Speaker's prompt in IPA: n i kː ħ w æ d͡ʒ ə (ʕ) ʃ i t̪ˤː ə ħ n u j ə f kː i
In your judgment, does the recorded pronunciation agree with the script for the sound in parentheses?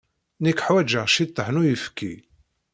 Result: no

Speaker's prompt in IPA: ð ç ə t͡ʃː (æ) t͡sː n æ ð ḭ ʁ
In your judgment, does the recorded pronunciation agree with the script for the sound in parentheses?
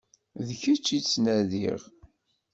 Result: no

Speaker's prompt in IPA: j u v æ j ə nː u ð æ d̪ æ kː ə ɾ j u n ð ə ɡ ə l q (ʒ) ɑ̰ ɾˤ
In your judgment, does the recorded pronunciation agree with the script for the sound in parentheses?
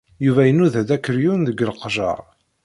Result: yes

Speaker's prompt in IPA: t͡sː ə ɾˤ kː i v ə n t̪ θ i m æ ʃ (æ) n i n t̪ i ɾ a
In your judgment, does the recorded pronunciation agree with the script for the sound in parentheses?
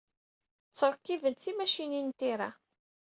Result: no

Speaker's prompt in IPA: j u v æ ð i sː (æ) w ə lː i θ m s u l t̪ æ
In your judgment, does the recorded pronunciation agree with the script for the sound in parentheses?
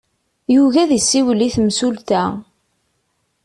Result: no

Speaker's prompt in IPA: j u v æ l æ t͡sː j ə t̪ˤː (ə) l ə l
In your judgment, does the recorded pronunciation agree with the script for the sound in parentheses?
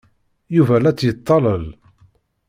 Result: no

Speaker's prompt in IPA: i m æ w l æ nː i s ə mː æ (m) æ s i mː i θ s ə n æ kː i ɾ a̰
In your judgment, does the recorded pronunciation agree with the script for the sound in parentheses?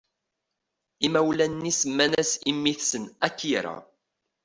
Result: no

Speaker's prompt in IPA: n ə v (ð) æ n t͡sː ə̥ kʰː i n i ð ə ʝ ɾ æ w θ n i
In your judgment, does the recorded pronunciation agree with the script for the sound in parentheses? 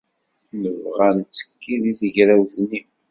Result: no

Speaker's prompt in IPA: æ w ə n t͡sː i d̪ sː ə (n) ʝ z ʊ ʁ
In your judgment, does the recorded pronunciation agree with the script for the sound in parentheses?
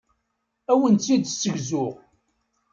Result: no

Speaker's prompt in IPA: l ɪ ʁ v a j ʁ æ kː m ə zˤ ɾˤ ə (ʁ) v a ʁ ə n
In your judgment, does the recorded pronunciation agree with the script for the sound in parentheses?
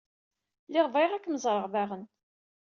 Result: yes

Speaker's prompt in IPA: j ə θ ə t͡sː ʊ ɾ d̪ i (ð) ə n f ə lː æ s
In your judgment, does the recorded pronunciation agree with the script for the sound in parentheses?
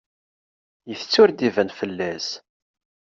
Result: no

